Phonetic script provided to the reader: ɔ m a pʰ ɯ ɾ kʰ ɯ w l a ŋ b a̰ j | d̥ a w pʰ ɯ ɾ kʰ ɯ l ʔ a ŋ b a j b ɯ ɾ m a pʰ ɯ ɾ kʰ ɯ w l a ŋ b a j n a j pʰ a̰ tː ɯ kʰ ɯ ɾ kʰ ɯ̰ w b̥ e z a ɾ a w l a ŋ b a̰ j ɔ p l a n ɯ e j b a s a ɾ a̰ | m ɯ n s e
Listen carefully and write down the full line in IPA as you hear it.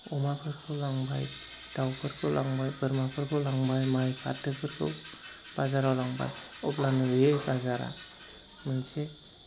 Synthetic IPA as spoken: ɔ m a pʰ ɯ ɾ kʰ ɯ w l a ŋ b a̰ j | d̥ a w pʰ ɯ ɾ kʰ ɯ l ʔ a ŋ b a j b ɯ ɾ m a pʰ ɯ ɾ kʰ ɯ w l a ŋ b a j m a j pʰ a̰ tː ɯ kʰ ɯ ɾ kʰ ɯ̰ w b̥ a z a ɾ a w l a ŋ b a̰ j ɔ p l a n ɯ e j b a z a ɾ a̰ | m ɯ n s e